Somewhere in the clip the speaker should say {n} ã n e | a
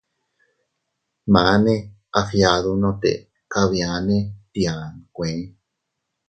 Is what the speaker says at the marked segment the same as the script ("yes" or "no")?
no